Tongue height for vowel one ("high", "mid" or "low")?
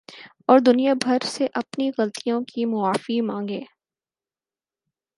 mid